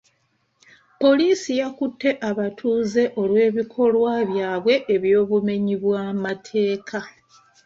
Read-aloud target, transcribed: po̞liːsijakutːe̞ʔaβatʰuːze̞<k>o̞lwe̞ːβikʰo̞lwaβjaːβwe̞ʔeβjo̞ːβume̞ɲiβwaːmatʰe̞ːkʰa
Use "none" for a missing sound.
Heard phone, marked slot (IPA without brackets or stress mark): ʔ